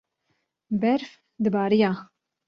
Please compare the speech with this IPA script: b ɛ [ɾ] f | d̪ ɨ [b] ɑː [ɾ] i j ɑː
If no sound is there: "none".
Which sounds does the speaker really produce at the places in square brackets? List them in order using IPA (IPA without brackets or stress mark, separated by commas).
ɾ, b, ɾ